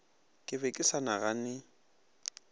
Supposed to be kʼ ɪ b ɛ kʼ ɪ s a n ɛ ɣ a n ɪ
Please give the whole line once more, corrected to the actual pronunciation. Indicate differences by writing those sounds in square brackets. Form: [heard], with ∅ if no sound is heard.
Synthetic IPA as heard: kʼ ɪ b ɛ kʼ ɪ s a n [a] ɣ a n ɪ